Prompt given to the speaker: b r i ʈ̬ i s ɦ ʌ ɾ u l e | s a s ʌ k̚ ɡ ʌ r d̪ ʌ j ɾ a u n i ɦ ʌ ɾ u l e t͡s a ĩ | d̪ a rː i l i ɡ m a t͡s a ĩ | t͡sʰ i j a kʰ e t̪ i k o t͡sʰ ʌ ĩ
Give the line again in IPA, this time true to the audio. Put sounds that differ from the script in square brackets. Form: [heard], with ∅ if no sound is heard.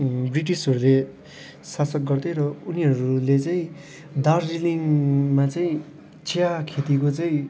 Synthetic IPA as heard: b r i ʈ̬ i s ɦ ʌ ɾ u l e | s a s ʌ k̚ ɡ ʌ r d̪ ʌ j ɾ [ʌ] u n i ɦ ʌ ɾ u l e t͡s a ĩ | d̪ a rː i l i [ŋ] m a t͡s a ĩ | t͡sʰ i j a kʰ e t̪ i k o [t͡s] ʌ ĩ